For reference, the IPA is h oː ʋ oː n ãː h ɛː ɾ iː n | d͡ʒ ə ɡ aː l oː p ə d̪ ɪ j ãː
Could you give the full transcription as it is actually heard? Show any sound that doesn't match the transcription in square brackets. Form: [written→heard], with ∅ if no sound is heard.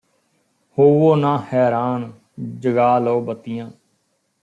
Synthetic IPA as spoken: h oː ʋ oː n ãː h ɛː ɾ [iː→aː] n | d͡ʒ ə ɡ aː l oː [p→b] ə [d̪→t̪] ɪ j ãː